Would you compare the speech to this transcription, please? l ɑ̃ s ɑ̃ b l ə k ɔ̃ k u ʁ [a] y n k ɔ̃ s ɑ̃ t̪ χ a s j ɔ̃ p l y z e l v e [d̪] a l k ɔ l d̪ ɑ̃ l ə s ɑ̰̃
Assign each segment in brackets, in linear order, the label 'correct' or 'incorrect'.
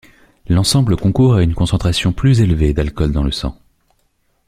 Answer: correct, correct

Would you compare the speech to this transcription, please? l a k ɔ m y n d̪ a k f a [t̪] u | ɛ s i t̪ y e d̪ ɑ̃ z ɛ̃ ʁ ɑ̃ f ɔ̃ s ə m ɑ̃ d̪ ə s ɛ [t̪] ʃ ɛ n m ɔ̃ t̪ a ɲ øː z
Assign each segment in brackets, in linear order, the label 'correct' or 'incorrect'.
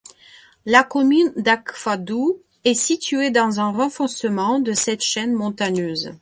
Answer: incorrect: d̪, correct

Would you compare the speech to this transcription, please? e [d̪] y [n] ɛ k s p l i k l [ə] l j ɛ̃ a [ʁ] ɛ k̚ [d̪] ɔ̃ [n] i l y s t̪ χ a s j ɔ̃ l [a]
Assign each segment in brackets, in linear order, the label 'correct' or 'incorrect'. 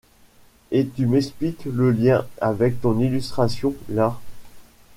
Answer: incorrect: t̪, incorrect: m, correct, incorrect: v, incorrect: t̪, correct, correct

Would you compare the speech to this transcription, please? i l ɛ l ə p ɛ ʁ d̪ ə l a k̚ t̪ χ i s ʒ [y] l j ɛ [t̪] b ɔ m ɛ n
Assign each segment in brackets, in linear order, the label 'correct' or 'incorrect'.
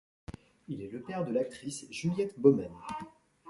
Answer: correct, correct

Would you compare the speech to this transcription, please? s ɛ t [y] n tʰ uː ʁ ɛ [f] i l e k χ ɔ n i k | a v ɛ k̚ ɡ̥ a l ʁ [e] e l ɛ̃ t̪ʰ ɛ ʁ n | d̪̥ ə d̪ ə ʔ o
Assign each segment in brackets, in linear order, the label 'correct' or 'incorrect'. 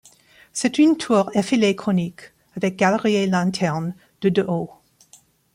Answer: correct, correct, incorrect: i

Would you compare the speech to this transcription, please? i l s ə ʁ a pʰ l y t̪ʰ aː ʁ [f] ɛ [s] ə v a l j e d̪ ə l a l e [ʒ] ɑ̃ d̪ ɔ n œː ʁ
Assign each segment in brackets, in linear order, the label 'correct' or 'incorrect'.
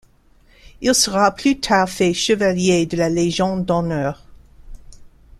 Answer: correct, incorrect: ʃ, correct

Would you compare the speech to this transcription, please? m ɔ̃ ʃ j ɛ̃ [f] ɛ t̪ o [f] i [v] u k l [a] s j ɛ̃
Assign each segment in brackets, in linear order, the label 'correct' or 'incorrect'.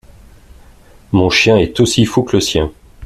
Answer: incorrect: none, incorrect: s, incorrect: f, incorrect: ə

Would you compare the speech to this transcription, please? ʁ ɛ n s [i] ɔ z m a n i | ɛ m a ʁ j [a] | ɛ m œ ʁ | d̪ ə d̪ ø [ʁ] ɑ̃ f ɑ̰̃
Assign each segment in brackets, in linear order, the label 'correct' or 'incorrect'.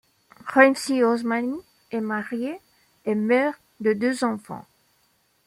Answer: correct, incorrect: e, incorrect: z

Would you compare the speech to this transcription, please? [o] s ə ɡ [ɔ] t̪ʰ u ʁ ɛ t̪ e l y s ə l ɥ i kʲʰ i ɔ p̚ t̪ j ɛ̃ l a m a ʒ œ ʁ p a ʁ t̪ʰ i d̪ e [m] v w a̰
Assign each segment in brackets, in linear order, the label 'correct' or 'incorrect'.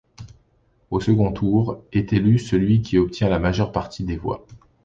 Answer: correct, incorrect: ɔ̃, incorrect: none

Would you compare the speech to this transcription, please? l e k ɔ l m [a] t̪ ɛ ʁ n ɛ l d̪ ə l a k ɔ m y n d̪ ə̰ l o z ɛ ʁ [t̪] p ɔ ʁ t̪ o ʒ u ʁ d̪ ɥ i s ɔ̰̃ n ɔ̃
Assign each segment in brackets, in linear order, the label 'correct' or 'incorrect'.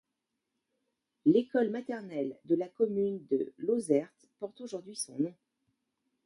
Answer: correct, correct

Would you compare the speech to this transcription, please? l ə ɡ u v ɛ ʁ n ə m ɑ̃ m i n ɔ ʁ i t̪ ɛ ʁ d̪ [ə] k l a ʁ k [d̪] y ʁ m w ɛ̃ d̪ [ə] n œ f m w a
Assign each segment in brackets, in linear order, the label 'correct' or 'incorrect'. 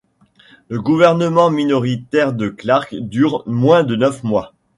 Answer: correct, correct, correct

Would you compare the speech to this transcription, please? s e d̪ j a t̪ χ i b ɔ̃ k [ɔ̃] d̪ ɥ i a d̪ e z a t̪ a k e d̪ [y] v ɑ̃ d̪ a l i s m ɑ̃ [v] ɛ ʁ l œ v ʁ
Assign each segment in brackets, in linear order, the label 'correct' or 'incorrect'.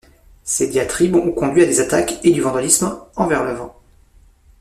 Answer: correct, correct, correct

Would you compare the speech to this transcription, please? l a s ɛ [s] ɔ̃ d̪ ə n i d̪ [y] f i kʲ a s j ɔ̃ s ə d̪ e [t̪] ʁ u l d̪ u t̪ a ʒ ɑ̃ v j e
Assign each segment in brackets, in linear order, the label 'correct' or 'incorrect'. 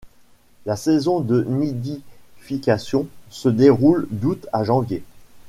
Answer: incorrect: z, incorrect: i, incorrect: none

